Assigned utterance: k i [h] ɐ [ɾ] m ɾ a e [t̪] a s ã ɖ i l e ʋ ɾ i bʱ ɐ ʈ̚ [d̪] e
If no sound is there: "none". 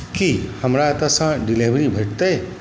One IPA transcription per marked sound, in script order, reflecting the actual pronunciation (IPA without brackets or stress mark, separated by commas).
h, none, t̪, t̪